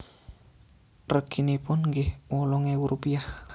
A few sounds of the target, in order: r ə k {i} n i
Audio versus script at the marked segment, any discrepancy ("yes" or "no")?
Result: no